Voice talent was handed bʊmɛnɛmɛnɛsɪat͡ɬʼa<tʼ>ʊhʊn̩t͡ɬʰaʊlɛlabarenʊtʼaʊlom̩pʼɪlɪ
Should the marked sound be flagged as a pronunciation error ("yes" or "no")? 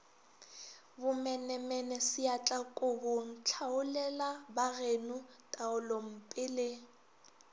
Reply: yes